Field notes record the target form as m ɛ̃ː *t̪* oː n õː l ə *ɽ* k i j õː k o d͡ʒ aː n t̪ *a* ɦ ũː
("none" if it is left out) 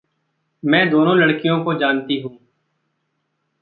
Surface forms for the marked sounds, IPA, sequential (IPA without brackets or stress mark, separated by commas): d̪, ɽ, i